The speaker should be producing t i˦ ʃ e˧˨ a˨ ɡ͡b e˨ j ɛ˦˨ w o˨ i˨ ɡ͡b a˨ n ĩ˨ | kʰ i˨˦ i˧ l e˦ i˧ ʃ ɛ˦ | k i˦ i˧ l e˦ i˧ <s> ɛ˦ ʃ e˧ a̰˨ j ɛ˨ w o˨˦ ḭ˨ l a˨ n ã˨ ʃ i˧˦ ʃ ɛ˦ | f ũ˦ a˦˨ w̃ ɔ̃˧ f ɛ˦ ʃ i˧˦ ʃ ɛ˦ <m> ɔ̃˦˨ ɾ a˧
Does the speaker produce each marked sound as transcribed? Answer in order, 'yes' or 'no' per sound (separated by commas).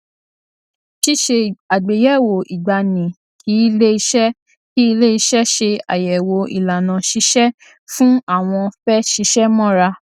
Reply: no, yes